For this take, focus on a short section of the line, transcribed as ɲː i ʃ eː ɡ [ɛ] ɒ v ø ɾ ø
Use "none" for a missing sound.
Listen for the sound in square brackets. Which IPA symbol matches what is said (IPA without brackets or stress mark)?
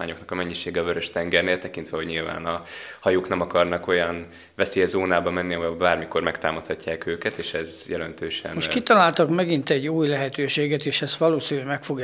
ɛ